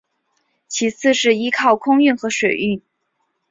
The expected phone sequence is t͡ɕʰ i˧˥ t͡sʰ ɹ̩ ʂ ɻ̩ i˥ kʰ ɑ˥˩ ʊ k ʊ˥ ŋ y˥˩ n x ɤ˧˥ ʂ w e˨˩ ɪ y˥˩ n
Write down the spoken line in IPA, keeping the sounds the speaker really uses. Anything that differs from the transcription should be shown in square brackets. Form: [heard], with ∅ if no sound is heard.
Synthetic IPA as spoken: t͡ɕʰ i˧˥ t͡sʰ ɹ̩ ʂ ɻ̩ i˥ kʰ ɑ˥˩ ʊ [kʰ] ʊ˥ ŋ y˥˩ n x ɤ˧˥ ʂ w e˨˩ ɪ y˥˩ n